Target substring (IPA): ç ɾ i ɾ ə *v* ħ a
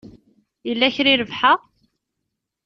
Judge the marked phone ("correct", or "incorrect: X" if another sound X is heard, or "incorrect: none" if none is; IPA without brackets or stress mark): correct